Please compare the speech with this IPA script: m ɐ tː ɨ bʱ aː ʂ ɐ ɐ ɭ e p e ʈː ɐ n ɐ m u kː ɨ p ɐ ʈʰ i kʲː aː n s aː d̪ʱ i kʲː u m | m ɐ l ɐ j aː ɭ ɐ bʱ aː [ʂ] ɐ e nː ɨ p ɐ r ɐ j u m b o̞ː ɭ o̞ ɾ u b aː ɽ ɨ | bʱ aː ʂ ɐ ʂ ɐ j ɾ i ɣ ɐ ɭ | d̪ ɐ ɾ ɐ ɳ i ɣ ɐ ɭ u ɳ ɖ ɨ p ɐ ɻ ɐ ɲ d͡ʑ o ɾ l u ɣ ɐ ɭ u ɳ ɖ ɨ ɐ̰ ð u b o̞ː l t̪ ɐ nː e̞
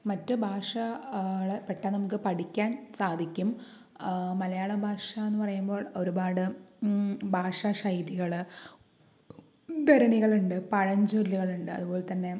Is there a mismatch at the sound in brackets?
no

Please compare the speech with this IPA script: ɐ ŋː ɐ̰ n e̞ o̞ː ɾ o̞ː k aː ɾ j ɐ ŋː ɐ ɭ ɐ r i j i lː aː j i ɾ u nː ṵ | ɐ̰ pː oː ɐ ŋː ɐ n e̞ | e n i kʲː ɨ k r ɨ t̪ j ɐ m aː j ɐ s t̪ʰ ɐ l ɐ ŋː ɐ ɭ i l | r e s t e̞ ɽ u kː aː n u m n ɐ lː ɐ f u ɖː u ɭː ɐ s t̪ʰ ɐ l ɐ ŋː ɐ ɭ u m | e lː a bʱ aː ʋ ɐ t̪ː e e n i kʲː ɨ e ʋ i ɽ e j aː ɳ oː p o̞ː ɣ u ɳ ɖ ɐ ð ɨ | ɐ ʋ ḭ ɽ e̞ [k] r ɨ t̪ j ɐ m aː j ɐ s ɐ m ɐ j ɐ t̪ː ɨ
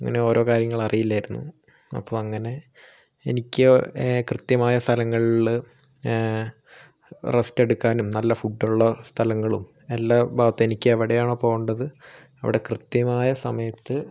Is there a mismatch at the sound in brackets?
no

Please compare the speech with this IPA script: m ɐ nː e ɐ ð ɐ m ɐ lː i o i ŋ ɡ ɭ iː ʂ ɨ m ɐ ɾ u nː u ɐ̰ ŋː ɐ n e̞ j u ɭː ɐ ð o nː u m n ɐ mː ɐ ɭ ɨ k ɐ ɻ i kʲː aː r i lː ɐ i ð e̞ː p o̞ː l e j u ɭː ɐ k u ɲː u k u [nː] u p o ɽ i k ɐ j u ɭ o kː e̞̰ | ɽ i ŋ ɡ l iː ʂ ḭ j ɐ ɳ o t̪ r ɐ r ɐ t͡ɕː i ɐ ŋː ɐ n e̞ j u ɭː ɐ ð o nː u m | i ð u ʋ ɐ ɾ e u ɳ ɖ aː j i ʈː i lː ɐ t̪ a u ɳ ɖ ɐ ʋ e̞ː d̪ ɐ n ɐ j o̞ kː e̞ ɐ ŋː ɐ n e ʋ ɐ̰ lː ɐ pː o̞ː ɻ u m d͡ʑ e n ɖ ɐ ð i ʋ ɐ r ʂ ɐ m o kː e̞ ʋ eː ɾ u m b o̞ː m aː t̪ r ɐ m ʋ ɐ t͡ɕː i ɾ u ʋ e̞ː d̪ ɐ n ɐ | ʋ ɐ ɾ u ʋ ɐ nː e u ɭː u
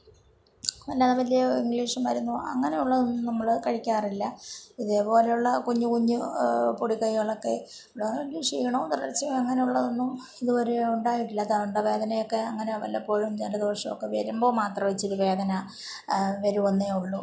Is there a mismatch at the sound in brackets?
yes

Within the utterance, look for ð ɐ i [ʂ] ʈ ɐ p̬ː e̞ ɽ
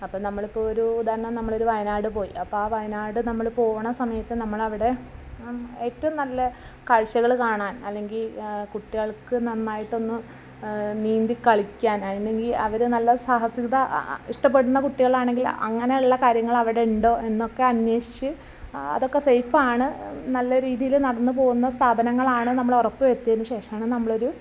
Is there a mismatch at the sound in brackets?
no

